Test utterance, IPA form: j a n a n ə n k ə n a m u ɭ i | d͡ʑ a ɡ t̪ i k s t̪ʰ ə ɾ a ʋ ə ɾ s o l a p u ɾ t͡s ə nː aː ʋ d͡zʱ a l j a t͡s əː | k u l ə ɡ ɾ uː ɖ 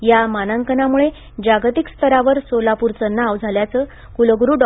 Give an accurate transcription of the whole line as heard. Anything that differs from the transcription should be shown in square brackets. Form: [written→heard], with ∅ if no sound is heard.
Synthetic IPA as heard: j a [n→m] a n ə [n→ŋ] k ə n a m u ɭ [i→e] | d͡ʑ a ɡ t̪ i k s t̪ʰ ə ɾ a ʋ ə ɾ s o l a p u ɾ t͡s ə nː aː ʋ d͡zʱ a l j a t͡s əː | k u l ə ɡ ɾ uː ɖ

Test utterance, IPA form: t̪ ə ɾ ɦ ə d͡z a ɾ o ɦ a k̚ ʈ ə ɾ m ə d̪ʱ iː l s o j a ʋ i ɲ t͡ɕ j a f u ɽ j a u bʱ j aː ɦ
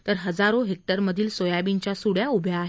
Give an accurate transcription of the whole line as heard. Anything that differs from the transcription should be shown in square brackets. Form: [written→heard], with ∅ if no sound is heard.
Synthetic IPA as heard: t̪ ə ɾ ɦ ə d͡z a ɾ o ɦ [a→e] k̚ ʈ ə ɾ m ə d̪ʱ iː l s o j a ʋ i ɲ t͡ɕ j a [f→s] u ɽ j a u bʱ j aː ɦ

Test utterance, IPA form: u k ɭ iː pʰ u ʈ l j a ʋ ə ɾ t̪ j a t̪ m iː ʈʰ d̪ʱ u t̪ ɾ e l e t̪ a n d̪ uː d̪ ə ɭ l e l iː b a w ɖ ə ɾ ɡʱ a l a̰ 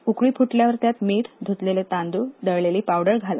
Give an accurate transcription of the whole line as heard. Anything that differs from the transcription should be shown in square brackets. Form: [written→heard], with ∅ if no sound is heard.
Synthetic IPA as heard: u k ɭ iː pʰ u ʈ l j a ʋ ə ɾ t̪ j a t̪ m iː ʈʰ d̪ʱ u t̪ [ɾ→l] e l e t̪ a n d̪ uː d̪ ə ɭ l e l iː [b→p] a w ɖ ə ɾ ɡʱ a l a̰

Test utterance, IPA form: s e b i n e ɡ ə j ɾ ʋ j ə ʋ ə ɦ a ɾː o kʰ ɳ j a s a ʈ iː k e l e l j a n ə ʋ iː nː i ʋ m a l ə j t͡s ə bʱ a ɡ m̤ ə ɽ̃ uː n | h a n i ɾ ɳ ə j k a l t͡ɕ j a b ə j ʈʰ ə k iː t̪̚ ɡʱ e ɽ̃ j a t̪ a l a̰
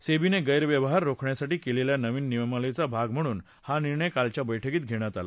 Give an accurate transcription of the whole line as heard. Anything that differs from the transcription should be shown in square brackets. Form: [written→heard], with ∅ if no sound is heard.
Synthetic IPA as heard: s e b i n e ɡ ə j ɾ ʋ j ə ʋ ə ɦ a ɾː o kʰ ɳ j a s a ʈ iː k e l e l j a n ə ʋ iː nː i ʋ m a l ə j t͡s [ə→a] bʱ a ɡ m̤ ə ɽ̃ uː n | h a n i ɾ ɳ ə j k a l t͡ɕ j a b ə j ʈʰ ə k iː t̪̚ ɡʱ e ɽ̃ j a t̪ a l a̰

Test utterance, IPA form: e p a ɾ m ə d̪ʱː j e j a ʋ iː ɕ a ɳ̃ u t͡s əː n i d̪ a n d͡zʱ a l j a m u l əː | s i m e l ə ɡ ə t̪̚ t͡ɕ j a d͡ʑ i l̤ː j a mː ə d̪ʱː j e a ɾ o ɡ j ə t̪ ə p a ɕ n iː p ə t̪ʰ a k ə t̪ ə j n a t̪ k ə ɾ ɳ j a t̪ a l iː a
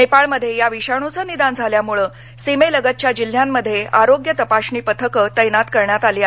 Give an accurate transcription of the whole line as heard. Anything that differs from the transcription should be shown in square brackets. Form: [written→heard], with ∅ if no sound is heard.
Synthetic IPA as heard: e p a [ɾ→ɭ] m ə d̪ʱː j e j a ʋ [iː→i] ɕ a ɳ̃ u t͡s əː n i d̪ a n d͡zʱ a l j a m u [l→ɭ] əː | s i m e l ə ɡ ə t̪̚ t͡ɕ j a d͡ʑ i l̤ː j a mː ə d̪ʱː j e a ɾ o ɡ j ə t̪ ə p a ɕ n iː p ə t̪ʰ [a→ə] k ə t̪ ə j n a t̪ k ə ɾ ɳ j a t̪ a l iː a

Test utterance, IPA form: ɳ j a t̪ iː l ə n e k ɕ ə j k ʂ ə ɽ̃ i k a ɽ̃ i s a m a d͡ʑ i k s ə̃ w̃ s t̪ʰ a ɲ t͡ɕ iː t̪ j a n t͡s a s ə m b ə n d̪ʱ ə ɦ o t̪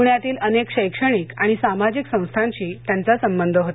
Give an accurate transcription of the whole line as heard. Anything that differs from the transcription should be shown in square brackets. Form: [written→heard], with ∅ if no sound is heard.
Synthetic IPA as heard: ɳ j a t̪ iː l ə n e k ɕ ə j k ʂ ə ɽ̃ i k a ɽ̃ i s a m a d͡ʑ i k s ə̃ w̃ s t̪ʰ a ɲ t͡ɕ iː t̪ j a n t͡s a s ə m b ə n d̪ʱ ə ɦ o t̪

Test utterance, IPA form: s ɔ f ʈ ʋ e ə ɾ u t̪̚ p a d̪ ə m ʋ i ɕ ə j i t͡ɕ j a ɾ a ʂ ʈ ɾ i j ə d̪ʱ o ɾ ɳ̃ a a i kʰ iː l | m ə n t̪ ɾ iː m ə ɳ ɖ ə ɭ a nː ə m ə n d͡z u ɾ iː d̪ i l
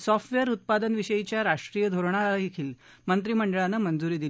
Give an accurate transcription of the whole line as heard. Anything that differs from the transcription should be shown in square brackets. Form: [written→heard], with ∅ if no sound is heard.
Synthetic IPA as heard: s ɔ f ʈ ʋ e ə ɾ u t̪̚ p a d̪ ə [m→n] ʋ i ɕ ə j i t͡ɕ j a ɾ a ʂ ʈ ɾ i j ə d̪ʱ o ɾ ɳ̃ a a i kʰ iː l | m ə n t̪ ɾ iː m ə ɳ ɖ ə ɭ a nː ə m ə n d͡z u ɾ iː d̪ i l

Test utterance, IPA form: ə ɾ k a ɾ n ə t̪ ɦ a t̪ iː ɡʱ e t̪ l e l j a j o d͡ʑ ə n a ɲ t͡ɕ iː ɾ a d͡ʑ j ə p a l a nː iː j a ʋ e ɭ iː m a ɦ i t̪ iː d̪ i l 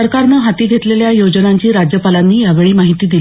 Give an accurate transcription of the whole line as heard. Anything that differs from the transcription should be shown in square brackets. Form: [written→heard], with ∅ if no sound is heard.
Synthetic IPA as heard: ə ɾ k a ɾ n ə [t̪→∅] ɦ a t̪ iː ɡʱ e t̪ l e l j a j o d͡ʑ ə n a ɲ t͡ɕ iː ɾ a d͡ʑ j ə p a l a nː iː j a ʋ e ɭ iː m a ɦ i t̪ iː d̪ i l

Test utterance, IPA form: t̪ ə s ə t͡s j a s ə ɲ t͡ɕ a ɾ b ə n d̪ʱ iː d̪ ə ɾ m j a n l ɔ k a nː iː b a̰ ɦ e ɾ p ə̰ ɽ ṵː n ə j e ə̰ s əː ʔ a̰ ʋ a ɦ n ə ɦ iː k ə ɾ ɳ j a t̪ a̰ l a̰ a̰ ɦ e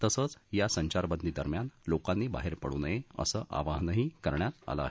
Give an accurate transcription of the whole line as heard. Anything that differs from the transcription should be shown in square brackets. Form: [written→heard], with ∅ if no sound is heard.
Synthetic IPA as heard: t̪ ə s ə t͡s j a s ə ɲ t͡ɕ a ɾ b ə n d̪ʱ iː d̪ ə ɾ m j a n l [ɔ→o] k a nː iː b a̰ ɦ e ɾ p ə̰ ɽ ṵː n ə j e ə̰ s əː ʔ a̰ ʋ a ɦ n ə ɦ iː k ə ɾ ɳ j a t̪ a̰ l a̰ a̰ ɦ e

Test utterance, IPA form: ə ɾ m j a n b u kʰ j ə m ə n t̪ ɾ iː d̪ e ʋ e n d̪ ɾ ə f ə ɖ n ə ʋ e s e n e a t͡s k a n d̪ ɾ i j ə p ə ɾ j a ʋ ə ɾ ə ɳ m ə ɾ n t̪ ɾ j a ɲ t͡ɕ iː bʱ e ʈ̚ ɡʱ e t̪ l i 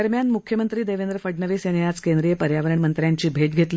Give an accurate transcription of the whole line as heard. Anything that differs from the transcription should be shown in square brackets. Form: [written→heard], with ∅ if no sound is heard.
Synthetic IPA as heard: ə ɾ m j a n [b→m] u kʰ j ə m ə n t̪ ɾ iː d̪ e ʋ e n d̪ ɾ ə f ə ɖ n ə ʋ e s e n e a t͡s k [a→e] n d̪ ɾ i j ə p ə ɾ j a ʋ ə ɾ ə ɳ m ə [ɾ→∅] n t̪ ɾ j a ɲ t͡ɕ iː bʱ e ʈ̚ ɡʱ e t̪ l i

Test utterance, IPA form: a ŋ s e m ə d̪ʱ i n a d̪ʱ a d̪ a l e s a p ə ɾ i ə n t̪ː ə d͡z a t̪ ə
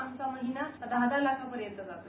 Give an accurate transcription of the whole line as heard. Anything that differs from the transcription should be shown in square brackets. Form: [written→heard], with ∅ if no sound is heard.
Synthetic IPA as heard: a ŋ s [e→a] m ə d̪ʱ i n a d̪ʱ a d̪ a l [e→a] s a p ə ɾ [i→j] ə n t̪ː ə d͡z a t̪ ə

